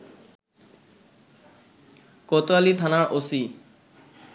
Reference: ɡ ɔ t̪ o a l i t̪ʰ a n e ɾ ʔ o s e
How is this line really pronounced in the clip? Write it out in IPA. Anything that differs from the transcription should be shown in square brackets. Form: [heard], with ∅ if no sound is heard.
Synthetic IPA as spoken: [k] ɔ t̪ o a l i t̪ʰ a n [a] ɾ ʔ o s [i]

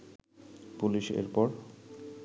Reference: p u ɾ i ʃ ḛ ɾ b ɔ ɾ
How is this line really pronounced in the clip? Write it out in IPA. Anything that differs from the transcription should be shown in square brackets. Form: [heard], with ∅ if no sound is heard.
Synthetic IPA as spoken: p u [l] i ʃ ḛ ɾ [p] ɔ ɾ

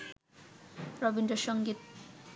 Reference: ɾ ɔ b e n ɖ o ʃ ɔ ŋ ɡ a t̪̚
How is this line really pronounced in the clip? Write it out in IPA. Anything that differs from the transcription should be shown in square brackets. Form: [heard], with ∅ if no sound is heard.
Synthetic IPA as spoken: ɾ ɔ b [i] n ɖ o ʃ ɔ ŋ ɡ [i] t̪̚

